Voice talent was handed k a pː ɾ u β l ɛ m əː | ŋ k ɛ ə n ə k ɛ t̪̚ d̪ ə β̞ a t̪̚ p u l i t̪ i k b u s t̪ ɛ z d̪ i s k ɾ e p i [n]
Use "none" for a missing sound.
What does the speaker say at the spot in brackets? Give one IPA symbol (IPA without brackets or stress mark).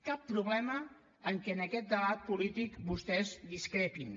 n